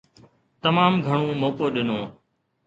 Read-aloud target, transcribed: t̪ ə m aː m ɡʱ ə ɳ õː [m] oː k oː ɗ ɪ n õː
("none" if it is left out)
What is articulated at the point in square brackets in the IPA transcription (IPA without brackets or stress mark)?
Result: m